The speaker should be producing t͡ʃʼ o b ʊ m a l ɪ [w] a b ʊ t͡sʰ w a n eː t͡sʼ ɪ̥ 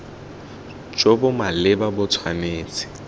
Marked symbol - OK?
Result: no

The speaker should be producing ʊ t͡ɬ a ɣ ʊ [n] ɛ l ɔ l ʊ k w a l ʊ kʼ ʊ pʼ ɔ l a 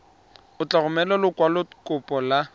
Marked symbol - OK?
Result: no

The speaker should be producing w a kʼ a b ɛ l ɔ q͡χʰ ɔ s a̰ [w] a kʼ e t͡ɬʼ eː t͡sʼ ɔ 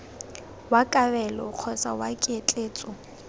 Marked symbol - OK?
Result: yes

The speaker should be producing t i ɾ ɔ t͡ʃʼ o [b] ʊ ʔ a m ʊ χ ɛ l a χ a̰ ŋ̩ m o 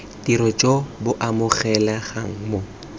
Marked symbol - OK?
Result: yes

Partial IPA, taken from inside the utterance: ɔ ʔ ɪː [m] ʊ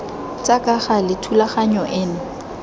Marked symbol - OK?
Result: no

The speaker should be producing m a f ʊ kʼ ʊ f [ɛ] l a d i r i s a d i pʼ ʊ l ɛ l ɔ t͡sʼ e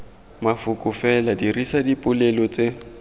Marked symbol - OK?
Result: yes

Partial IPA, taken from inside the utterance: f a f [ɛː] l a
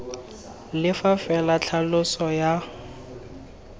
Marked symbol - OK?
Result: no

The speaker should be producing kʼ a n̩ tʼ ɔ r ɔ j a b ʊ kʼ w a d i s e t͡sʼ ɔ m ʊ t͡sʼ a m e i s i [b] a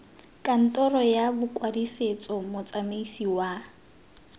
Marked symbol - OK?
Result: no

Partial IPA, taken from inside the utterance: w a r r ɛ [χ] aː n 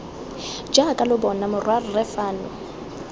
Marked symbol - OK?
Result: no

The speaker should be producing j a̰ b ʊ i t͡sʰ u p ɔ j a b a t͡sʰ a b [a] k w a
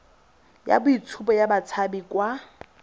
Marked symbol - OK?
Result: no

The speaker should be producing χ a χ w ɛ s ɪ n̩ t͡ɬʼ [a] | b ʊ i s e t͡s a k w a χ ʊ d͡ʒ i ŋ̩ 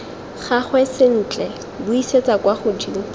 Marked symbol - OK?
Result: no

